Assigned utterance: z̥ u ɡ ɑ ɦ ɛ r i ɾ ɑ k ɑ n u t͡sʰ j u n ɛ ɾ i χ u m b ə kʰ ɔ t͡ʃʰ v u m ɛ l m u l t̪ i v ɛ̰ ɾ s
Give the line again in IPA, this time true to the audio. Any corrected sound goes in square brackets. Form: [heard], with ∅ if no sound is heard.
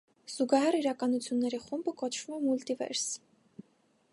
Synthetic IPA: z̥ u ɡ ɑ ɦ ɛ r i ɾ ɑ k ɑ n u t͡sʰ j u [nː] ɛ ɾ i χ u m b ə [k] ɔ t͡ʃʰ v u m ɛ [∅] m u l t̪ i v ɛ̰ ɾ s